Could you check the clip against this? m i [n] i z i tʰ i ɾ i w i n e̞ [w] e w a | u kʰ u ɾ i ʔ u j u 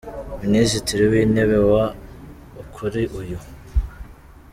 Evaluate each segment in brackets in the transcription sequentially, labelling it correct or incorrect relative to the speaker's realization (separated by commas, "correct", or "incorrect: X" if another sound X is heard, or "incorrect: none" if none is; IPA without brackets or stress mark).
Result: correct, incorrect: β